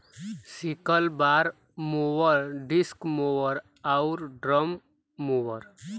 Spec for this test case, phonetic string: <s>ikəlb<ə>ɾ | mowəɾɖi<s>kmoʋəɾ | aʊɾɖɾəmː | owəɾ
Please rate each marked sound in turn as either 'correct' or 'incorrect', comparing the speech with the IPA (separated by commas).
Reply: correct, incorrect, correct